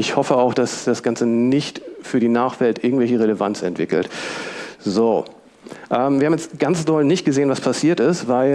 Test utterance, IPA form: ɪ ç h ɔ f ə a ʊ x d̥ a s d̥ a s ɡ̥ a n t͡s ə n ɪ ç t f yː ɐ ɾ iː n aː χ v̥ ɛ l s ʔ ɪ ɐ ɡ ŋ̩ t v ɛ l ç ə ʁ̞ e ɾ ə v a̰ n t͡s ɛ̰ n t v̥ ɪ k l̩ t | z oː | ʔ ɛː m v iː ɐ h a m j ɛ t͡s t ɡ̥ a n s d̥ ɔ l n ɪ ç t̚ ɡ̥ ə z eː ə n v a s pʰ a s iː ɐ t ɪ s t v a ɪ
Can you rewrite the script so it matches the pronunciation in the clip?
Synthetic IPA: ɪ ç h ɔ f ə a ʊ x d̥ a s d̥ a s ɡ̥ a n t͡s ə n ɪ ç t f yː ɐ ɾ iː n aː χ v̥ ɛ l t ʔ ɪ ɐ ɡ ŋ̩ t v ɛ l ç ə ʁ̞ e l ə v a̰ n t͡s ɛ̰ n t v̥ ɪ k l̩ t | z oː | ʔ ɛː m v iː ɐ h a m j ɛ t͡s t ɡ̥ a n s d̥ ɔ l n ɪ ç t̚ ɡ̥ ə z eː ə n v a s pʰ a s iː ɐ t ɪ s t v a ɪ